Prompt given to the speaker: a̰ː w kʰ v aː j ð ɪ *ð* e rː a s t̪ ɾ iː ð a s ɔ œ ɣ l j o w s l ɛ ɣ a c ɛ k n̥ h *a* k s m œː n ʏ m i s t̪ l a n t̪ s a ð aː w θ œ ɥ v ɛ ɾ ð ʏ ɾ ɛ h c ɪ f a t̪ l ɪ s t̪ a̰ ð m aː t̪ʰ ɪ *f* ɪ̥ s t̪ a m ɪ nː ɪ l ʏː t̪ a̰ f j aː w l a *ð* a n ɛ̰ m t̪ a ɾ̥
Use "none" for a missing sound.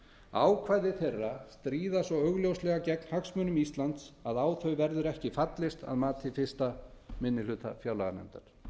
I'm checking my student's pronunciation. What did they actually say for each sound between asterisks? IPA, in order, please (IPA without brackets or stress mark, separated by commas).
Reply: θ, a, f, ɣ